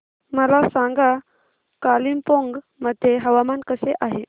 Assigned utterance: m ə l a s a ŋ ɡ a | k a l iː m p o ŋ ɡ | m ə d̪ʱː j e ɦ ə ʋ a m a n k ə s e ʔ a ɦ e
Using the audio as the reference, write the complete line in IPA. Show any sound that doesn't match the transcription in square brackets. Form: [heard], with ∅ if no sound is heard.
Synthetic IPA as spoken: m ə l a s a ŋ ɡ a | k a l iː m p o ŋ ɡ | m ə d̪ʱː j e ɦ ə ʋ a m a n k ə s e ʔ a ɦ e